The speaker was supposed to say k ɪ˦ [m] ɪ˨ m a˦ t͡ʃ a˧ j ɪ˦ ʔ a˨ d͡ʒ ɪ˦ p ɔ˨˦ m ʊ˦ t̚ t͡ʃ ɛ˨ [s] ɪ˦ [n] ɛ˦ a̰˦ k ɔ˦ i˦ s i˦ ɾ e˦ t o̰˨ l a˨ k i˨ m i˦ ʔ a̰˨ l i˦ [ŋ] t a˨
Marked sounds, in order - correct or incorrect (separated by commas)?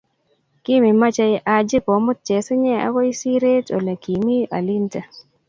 correct, correct, incorrect, incorrect